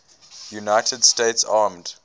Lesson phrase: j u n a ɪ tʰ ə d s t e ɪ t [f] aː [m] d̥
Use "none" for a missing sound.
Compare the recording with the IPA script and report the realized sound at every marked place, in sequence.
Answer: s, m

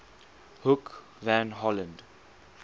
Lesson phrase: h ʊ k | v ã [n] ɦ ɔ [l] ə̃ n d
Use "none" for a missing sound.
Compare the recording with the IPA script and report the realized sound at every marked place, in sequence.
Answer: n, l

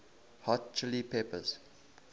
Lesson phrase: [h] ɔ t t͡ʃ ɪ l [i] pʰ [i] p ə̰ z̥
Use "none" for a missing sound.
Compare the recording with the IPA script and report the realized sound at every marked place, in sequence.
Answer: h, i, e

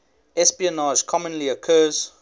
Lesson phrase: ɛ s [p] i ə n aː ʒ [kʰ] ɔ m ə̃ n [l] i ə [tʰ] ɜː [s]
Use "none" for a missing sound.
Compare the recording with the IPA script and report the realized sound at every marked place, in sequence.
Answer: p, kʰ, l, kʰ, z

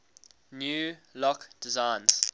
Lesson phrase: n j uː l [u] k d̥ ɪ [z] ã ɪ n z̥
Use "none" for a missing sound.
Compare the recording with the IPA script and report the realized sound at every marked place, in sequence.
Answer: ɔ, z

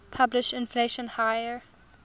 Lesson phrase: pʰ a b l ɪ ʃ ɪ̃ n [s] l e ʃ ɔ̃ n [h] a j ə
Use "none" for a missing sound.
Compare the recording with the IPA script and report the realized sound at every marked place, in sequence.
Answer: f, h

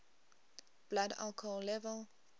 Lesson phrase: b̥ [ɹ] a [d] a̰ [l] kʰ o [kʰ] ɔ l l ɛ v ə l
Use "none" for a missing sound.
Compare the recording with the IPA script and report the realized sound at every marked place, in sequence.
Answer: l, d, l, none

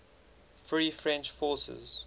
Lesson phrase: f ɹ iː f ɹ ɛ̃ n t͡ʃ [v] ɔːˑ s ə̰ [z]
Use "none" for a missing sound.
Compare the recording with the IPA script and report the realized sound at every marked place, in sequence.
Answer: f, z

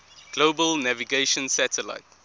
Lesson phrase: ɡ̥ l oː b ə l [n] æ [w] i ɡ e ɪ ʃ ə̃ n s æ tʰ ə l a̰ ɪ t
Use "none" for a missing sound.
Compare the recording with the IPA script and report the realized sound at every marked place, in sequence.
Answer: n, v

